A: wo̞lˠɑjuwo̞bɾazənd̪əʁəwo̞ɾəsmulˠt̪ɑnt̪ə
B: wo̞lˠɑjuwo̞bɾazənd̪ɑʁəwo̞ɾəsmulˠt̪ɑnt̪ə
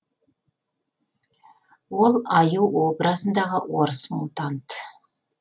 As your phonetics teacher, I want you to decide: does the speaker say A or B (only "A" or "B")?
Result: B